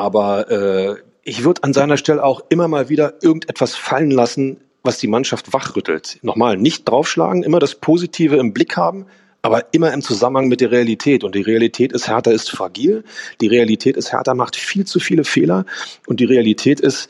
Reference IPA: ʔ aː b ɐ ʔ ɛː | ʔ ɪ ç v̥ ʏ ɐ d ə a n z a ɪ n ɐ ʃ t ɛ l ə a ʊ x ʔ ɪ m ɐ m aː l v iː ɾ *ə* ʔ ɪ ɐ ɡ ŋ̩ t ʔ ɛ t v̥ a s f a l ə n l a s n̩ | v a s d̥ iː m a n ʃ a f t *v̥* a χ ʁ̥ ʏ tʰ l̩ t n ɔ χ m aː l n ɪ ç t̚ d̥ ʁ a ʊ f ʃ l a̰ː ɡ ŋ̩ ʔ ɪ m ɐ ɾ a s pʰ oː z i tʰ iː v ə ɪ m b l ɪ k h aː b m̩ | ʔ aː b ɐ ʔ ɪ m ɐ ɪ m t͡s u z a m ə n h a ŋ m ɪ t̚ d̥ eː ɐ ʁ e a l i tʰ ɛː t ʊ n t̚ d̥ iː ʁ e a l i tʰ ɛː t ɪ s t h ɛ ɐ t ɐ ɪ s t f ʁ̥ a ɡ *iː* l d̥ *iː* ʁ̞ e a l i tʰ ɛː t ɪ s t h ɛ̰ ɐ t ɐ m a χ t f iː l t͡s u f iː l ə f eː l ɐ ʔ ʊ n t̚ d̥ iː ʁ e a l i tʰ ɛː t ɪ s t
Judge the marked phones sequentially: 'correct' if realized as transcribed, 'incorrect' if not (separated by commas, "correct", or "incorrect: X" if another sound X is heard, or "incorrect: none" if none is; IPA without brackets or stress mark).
incorrect: ɐ, correct, correct, correct